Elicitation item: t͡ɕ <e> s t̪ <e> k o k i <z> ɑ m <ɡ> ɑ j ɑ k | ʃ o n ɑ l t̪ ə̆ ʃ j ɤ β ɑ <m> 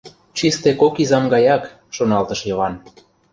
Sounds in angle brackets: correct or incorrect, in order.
incorrect, correct, correct, correct, incorrect

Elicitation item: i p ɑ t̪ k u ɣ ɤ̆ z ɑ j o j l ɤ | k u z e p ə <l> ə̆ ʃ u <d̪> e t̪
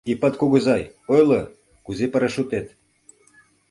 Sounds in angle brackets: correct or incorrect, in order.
incorrect, incorrect

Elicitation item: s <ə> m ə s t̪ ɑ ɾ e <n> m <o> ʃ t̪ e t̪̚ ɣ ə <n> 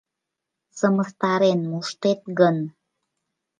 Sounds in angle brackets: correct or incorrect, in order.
correct, correct, incorrect, correct

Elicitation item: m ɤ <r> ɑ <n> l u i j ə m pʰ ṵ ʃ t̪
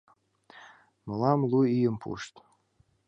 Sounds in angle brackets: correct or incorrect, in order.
incorrect, incorrect

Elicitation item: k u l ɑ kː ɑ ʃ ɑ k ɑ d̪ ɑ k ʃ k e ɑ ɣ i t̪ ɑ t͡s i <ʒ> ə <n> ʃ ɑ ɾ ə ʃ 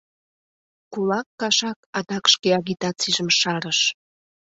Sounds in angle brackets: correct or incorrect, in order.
correct, incorrect

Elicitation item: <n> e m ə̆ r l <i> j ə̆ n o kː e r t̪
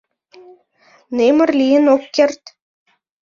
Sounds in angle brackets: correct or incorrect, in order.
correct, correct

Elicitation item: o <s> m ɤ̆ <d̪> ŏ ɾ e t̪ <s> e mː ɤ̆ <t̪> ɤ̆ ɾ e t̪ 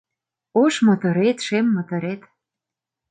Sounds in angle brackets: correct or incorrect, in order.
incorrect, incorrect, incorrect, correct

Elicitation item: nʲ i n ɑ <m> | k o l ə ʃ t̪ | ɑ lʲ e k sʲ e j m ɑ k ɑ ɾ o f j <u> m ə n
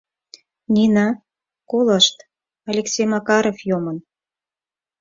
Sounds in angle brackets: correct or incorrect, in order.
incorrect, incorrect

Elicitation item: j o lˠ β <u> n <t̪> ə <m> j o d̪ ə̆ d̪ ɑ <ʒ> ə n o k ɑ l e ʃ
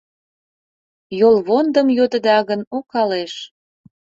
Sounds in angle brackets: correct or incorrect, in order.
incorrect, incorrect, correct, incorrect

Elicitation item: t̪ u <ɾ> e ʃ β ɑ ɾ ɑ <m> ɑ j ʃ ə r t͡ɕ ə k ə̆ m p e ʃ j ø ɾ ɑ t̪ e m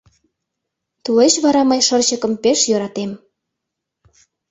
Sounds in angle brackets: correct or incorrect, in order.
incorrect, correct

